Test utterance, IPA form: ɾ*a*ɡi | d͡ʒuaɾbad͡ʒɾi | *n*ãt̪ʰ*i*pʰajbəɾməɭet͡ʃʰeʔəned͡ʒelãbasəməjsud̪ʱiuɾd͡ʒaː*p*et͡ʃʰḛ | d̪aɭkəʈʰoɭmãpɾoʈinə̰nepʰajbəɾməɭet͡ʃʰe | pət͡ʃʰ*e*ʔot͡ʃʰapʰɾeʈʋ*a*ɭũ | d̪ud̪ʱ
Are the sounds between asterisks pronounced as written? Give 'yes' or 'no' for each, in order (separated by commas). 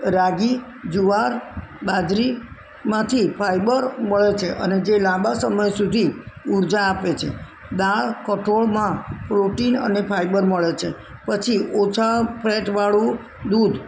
yes, no, yes, yes, no, yes